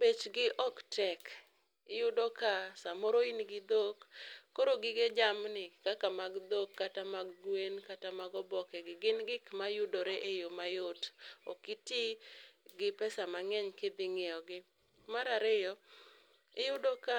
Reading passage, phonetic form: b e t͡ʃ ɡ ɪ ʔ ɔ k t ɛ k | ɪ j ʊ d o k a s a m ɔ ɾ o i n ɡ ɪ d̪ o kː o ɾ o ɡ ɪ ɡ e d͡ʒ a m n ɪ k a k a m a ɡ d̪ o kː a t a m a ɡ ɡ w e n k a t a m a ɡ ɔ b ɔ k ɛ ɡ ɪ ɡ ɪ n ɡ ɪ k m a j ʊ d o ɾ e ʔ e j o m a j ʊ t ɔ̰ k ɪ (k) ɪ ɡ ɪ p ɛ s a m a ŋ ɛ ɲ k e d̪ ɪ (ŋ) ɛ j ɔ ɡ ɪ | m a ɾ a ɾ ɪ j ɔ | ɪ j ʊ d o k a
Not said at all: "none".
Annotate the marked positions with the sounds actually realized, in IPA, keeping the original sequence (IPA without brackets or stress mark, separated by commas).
t, ŋ